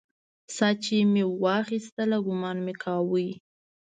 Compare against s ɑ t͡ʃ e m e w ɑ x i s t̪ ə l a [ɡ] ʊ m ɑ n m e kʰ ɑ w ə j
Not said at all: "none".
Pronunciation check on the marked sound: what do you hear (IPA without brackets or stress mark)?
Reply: ɡ